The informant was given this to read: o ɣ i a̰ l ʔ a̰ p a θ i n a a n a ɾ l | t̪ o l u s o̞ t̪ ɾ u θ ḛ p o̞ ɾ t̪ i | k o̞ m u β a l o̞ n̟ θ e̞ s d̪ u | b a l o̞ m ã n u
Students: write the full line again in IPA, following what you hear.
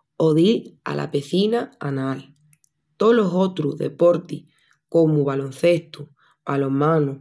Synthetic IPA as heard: o ð i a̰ l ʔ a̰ p e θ i n a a n a l | t̪ o l o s o̞ t̪ ɾ u ð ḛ p o̞ ɾ t̪ i | k o̞ m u β a l o̞ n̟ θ e̞ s t̪ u | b a l o̞ m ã n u